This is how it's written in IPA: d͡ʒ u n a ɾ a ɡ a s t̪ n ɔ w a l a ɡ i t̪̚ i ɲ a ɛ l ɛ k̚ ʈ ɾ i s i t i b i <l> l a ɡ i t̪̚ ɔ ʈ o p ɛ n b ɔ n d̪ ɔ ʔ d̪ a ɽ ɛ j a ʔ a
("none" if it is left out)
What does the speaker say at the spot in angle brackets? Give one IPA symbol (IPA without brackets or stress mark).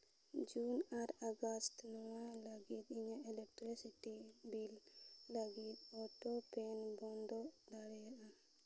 l